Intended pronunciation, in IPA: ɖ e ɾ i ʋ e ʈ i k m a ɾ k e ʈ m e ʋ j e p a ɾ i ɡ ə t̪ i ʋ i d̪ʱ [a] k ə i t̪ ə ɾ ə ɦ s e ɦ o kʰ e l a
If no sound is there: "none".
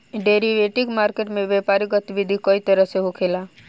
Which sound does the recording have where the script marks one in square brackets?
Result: i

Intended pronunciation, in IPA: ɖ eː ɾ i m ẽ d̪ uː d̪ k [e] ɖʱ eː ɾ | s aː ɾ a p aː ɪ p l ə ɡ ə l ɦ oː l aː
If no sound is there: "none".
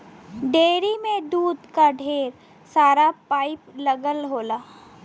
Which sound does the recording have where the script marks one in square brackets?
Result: a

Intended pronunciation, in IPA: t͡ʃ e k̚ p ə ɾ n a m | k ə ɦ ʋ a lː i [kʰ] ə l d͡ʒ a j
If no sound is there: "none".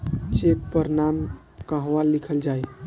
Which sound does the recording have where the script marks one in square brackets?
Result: kʰ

